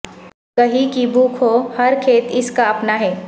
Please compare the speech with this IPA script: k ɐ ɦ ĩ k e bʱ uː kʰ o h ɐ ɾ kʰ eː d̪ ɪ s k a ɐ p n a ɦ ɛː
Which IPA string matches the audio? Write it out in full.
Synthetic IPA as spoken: k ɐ ɦ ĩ k i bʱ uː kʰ o h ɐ ɾ kʰ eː t̪ ɪ s k a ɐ p n a ɦ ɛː